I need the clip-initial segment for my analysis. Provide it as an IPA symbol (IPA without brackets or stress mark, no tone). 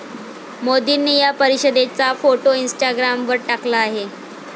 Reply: m